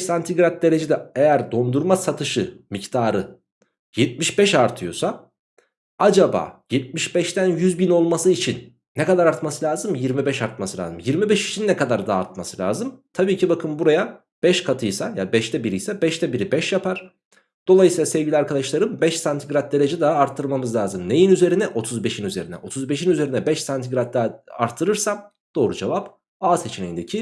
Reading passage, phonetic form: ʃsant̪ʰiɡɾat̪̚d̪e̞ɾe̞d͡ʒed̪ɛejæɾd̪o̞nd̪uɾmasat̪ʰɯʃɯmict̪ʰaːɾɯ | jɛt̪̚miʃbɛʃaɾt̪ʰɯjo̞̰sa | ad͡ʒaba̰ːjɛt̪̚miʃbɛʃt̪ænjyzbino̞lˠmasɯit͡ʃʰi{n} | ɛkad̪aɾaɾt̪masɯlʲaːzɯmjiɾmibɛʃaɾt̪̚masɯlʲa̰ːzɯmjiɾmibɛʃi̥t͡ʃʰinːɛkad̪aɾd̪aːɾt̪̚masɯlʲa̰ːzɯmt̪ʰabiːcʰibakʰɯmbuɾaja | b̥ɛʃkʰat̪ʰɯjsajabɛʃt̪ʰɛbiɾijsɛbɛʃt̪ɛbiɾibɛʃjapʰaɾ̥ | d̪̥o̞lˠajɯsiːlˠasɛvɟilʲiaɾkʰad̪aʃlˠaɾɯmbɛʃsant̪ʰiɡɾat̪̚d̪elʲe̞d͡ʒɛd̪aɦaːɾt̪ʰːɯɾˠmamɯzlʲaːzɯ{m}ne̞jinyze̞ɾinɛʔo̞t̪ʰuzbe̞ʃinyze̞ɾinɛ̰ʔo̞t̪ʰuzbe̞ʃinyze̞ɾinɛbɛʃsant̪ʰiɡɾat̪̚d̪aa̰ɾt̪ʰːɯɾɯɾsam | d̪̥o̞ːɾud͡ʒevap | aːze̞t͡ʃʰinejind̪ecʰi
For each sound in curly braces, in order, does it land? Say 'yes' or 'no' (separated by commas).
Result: no, yes